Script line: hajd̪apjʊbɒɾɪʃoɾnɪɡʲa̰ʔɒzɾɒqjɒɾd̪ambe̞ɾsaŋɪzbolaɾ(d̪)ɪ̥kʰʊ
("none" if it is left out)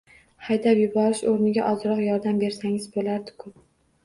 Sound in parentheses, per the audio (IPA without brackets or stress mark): d̪